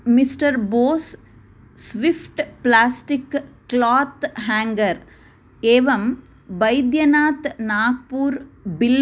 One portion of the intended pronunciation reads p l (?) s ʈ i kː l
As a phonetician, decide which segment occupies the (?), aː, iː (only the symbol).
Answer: aː